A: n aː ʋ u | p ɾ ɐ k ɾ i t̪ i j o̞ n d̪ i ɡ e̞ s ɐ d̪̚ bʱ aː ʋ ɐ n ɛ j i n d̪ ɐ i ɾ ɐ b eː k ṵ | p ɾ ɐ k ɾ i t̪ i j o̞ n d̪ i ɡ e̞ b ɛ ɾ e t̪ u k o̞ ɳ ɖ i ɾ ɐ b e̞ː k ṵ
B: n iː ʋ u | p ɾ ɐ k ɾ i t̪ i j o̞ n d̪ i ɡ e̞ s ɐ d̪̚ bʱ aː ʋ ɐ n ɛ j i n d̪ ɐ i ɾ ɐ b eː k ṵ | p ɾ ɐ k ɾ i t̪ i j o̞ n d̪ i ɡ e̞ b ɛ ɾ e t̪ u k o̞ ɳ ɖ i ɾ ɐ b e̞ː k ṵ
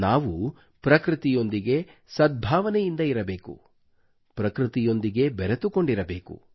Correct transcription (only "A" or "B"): A